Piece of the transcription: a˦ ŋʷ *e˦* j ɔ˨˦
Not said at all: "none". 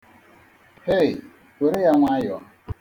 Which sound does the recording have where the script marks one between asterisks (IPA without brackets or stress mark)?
a˦